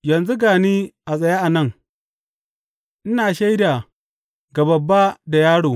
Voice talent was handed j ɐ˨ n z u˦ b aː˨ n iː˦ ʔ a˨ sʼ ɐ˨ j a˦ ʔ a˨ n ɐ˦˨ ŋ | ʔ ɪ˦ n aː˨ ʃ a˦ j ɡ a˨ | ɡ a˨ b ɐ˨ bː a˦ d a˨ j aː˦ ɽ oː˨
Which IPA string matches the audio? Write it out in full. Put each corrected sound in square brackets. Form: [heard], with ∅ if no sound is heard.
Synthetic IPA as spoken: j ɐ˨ n z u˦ [ɡ] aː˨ n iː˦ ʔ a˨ sʼ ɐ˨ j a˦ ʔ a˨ n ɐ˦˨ ŋ | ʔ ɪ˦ n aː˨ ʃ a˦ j [d] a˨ | ɡ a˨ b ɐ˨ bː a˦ d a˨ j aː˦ ɽ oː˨

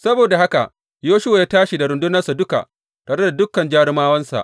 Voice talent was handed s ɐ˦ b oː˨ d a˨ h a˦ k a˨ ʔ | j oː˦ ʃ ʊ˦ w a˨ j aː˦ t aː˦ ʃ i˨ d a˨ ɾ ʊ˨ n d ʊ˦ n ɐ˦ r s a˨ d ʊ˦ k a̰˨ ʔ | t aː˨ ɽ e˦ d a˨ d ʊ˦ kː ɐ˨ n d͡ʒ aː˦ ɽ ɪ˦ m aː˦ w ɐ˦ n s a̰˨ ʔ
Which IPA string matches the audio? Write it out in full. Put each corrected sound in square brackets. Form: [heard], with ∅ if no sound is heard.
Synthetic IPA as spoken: s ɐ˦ b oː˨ d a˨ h a˦ k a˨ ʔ | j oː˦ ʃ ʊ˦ w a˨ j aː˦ t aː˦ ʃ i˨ d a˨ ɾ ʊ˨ n d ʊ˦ n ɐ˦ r s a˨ d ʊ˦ k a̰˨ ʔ | t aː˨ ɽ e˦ d a˨ d ʊ˦ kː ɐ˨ n d͡ʒ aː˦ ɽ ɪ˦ m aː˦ w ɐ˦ n s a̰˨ ʔ

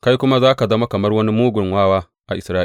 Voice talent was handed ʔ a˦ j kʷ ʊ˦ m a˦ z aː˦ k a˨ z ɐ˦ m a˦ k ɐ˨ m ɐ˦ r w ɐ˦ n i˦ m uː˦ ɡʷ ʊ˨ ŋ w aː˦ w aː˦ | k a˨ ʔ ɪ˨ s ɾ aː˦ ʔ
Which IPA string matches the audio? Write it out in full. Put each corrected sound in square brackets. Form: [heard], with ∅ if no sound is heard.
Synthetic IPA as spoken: [k] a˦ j kʷ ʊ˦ m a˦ z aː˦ k a˨ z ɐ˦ m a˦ k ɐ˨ m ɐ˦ r w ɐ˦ n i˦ m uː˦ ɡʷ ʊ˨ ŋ w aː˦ w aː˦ | [ʔ] a˨ ʔ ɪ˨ s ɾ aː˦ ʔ

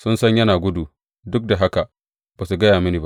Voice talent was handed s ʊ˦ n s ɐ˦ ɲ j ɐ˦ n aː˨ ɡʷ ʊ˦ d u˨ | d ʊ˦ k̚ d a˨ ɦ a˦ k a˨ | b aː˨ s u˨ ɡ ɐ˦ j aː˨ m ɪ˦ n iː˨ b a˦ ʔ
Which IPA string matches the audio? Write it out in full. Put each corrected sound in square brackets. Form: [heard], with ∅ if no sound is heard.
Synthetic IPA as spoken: s ʊ˦ n s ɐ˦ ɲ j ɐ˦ n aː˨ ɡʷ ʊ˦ d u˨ | d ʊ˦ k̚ d a˨ ɦ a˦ k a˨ | b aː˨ s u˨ ɡ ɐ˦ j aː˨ m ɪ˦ n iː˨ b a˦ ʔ

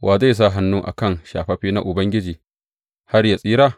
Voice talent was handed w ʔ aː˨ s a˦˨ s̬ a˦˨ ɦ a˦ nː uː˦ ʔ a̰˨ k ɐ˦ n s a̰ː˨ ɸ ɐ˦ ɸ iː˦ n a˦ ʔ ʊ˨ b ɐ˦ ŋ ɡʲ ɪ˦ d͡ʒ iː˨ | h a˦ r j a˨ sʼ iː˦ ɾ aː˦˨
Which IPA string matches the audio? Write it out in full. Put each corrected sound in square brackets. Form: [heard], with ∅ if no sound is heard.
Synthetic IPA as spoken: w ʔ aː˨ [z] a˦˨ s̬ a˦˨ ɦ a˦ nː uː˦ ʔ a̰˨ k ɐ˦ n [ʃ] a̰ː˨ ɸ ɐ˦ ɸ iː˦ n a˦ ʔ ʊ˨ b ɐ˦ ŋ ɡʲ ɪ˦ d͡ʒ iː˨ | h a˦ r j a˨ sʼ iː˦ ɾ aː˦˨

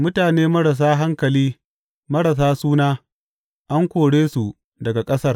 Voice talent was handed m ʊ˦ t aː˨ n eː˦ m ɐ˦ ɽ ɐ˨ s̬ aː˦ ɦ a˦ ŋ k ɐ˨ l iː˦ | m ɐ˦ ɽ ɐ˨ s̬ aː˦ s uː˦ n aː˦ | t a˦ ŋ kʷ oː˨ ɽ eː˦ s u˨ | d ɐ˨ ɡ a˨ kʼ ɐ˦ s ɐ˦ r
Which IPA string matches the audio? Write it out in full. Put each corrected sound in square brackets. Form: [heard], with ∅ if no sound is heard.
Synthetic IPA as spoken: m ʊ˦ t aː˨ n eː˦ m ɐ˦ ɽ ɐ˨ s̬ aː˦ ɦ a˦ ŋ k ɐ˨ l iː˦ | m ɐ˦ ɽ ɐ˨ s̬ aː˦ s uː˦ n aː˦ | [ʔ] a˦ ŋ kʷ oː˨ ɽ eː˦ s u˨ | d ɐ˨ ɡ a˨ kʼ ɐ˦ s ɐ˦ r

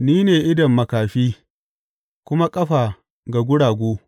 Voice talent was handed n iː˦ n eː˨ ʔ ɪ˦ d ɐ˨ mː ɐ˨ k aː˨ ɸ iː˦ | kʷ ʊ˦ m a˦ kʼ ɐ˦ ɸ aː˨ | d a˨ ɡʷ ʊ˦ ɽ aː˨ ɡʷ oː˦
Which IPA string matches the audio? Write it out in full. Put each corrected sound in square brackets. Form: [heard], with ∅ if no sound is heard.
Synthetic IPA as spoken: n iː˦ n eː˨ ʔ ɪ˦ d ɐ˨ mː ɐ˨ k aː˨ ɸ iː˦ | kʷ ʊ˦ m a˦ kʼ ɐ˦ ɸ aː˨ | [ɡ] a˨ ɡʷ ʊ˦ ɽ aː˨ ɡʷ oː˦

